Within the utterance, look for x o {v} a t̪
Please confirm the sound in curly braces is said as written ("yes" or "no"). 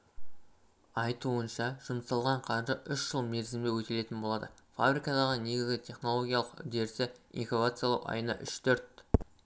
yes